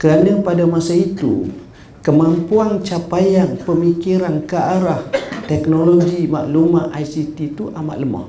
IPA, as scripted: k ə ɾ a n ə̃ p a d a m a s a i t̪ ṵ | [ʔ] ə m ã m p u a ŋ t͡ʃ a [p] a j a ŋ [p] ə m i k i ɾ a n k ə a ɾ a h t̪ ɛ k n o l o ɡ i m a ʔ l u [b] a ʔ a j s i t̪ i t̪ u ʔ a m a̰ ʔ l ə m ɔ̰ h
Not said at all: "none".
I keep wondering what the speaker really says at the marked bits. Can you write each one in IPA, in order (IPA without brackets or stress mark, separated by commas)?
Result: k, p, p, m